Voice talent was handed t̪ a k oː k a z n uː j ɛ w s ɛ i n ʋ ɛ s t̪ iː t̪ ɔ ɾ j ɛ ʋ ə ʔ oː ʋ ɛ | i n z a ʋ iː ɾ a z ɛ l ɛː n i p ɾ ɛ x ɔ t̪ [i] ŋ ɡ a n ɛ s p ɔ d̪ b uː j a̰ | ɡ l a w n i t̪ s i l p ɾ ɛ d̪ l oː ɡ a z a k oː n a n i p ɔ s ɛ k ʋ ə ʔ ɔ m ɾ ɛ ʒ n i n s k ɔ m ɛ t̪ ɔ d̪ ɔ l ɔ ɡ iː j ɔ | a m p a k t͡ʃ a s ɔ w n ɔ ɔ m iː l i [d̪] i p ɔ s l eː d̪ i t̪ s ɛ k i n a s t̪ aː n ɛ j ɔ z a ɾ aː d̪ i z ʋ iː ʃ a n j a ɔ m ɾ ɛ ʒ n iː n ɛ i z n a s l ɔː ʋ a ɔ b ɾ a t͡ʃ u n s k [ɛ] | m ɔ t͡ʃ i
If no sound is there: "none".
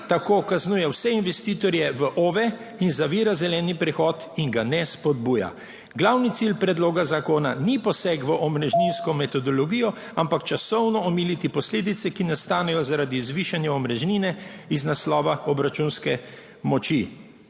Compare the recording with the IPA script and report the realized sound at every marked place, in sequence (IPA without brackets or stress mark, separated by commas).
i, t̪, ɛ